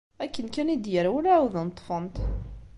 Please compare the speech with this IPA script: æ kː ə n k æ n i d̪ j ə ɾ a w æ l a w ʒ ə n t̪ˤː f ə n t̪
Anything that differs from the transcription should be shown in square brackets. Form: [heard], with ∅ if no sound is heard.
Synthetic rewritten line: æ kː ə n k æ n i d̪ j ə ɾ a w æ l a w [ð] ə n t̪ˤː f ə n t̪